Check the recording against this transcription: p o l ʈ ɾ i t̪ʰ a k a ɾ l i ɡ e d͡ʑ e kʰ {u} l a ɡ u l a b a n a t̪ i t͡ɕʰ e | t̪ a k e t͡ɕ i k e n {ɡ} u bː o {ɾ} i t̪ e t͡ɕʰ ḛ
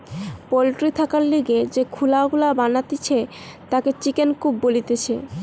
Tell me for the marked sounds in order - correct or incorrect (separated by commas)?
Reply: correct, incorrect, incorrect